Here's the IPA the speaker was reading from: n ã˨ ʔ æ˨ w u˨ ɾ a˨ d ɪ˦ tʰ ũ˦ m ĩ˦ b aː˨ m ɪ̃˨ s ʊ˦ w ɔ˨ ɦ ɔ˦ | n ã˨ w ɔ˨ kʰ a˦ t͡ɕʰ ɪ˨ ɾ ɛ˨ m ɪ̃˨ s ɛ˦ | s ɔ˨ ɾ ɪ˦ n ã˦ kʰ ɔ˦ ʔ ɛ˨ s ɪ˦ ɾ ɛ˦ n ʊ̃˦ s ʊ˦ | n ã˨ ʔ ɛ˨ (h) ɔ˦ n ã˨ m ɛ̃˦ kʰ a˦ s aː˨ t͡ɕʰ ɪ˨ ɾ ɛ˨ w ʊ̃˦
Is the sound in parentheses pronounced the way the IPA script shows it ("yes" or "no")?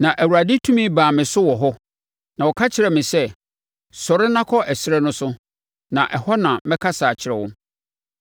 yes